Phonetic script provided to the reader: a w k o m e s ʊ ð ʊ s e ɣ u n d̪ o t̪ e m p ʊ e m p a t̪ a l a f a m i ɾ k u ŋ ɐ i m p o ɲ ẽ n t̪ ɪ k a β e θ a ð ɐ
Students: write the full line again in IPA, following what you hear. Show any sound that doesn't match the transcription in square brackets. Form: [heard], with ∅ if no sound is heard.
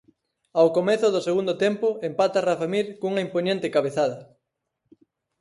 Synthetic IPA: a w k o m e [θ] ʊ ð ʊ s e ɣ u n d̪ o t̪ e m p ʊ e m p a t̪ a [r] a f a m i ɾ k u ŋ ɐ i m p o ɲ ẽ n t̪ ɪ k a β e θ a ð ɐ